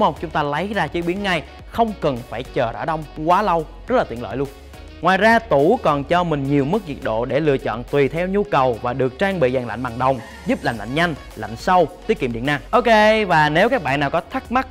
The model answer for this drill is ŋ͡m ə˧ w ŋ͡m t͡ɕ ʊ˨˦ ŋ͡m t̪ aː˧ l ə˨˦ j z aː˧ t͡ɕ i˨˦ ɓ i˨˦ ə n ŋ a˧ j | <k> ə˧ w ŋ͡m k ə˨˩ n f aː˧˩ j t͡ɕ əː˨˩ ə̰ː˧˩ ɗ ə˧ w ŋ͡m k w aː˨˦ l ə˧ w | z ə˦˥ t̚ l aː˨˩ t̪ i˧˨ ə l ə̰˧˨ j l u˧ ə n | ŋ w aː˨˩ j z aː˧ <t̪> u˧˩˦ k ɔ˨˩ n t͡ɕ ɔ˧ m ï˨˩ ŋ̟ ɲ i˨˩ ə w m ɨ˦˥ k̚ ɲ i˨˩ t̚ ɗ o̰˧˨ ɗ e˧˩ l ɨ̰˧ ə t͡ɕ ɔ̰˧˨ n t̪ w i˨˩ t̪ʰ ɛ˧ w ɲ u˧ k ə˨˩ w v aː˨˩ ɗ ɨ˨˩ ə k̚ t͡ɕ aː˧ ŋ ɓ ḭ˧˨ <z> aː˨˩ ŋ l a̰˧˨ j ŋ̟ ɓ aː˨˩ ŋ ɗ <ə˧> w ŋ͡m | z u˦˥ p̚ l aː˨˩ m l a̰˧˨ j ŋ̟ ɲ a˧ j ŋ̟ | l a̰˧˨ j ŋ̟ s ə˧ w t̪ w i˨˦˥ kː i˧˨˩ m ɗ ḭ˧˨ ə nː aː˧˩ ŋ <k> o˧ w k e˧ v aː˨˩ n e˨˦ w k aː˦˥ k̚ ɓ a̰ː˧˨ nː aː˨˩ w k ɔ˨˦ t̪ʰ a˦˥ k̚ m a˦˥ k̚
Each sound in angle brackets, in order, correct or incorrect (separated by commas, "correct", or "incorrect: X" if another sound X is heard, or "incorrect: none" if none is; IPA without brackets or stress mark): incorrect: x, correct, correct, incorrect: ə˨˩, incorrect: ʔ